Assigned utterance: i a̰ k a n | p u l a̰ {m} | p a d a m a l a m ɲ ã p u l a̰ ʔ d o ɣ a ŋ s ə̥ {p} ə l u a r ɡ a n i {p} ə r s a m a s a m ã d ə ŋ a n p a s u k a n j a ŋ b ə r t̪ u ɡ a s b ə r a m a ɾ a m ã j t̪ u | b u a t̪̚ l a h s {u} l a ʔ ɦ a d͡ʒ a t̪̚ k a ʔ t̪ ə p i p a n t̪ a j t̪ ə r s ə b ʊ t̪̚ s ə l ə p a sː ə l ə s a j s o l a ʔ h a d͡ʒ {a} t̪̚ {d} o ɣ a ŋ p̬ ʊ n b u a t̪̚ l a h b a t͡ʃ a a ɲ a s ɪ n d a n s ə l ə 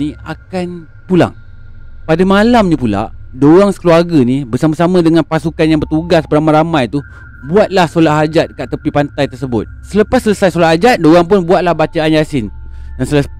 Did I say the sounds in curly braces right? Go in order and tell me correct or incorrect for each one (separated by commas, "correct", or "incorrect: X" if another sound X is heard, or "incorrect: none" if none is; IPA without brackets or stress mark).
incorrect: ŋ, incorrect: k, incorrect: b, incorrect: o, correct, correct